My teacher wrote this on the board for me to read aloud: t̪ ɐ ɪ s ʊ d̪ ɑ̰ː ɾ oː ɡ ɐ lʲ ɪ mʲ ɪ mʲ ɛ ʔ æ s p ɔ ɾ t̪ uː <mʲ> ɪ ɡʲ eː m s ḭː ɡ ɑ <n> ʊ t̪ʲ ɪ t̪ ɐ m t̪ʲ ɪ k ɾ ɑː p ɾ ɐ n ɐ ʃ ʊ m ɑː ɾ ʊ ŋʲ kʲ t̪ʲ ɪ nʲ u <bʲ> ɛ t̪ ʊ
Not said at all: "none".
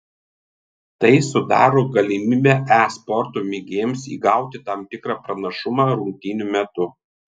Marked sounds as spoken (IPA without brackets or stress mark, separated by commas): mʲ, none, mʲ